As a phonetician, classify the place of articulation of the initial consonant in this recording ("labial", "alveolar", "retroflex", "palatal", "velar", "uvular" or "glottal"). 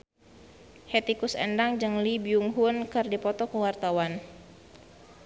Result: glottal